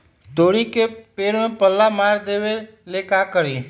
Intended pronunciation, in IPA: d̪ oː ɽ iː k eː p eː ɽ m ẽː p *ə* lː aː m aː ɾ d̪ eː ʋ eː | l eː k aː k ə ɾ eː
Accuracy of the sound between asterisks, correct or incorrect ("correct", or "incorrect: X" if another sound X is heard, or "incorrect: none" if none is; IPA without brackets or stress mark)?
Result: correct